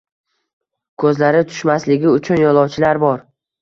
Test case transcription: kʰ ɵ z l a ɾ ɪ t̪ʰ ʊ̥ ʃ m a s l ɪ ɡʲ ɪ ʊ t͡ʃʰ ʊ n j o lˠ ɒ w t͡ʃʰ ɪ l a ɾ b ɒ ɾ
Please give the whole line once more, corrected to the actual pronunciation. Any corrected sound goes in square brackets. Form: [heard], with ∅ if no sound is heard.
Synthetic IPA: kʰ ɵ z l a ɾ ɪ t̪ʰ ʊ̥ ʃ m a s l ɪ ɡʲ ɪ ʊ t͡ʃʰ ʊ n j [ɒ] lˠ ɒ w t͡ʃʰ ɪ l a ɾ b ɒ ɾ